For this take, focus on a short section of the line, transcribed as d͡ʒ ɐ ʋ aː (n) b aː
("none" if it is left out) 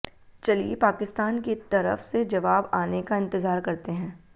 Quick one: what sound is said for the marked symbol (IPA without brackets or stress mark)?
none